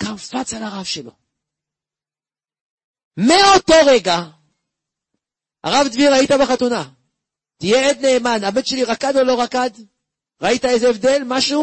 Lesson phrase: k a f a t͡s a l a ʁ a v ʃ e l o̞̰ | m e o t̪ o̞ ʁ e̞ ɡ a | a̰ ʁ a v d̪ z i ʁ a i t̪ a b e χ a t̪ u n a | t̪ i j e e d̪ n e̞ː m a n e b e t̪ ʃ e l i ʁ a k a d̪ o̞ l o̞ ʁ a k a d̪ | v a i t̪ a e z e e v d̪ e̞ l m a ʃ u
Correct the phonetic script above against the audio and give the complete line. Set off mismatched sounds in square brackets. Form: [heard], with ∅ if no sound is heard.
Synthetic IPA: k a f a t͡s a l a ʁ a v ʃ e l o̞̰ | m e o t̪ o̞ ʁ e̞ ɡ a | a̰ ʁ a v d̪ [v] i ʁ a i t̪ a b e χ a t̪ u n a | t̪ i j e e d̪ n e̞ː m a n [a] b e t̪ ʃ e l i ʁ a k a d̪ o̞ l o̞ ʁ a k a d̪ | [ʁ] a i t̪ a e z e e v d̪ e̞ l m a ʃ u